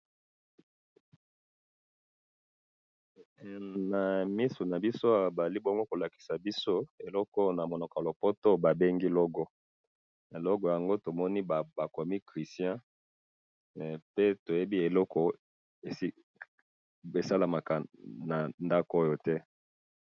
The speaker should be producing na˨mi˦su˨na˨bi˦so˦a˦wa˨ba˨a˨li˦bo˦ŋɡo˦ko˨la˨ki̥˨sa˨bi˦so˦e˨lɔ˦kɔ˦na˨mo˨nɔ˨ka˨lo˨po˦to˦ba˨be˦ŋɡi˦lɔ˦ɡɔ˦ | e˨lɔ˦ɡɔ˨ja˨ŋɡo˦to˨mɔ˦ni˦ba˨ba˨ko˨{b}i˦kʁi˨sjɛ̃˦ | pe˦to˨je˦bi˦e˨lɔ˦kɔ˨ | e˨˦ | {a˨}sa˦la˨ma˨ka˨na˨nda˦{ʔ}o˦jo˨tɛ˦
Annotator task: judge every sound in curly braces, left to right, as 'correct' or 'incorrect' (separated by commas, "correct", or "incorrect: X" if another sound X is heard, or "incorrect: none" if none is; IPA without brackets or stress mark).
incorrect: m, incorrect: e˨, incorrect: k